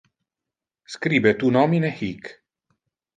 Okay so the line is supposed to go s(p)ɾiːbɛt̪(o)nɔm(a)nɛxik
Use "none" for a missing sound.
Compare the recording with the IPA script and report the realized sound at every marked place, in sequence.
k, u, i

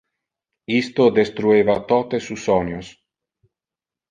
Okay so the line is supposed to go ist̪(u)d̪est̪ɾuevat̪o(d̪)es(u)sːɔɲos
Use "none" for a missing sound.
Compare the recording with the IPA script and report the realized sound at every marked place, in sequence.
o, t̪, u

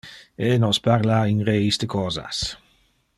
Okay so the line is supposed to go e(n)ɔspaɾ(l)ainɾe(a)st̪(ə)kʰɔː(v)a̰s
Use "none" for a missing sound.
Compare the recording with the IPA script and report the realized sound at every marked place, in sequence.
n, l, i, ə, z

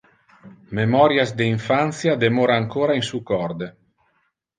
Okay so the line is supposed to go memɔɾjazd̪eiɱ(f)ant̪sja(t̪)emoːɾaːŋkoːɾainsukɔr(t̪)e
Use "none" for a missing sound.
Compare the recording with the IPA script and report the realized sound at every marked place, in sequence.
f, d̪, d̪

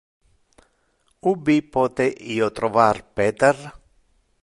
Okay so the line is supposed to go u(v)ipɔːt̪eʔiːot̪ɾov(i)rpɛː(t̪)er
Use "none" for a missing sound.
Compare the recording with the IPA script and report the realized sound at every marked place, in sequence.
b, a, t̪

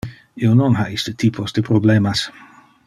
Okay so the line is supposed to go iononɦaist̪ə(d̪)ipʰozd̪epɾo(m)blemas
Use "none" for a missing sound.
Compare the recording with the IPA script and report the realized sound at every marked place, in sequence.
t̪, none

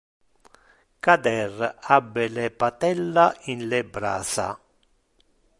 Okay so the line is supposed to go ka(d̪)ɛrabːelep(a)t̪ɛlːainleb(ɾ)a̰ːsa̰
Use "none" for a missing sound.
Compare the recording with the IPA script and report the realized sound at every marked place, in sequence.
d̪, a, ɾ

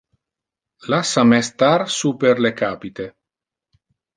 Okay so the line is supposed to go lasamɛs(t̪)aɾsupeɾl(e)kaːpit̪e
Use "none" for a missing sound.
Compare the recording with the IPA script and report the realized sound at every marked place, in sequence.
t̪, e

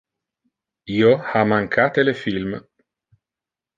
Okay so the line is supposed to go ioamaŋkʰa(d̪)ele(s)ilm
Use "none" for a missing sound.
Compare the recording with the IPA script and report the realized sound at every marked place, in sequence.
t̪, f

